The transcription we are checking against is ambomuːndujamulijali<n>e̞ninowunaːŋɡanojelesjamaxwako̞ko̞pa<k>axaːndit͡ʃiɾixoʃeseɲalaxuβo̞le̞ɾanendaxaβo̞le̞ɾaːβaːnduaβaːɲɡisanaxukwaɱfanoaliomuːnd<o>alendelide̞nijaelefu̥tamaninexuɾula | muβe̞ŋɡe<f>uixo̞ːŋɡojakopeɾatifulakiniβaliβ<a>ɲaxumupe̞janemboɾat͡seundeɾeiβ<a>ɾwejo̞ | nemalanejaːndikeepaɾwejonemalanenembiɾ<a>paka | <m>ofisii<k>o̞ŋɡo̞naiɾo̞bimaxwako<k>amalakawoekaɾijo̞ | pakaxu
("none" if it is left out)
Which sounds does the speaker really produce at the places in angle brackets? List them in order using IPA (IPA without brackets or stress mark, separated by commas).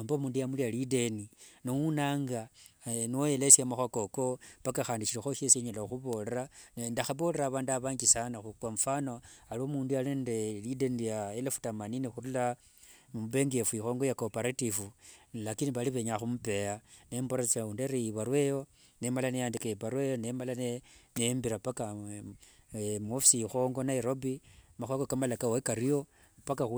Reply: d, k, u, f, e, a, a, m, x, k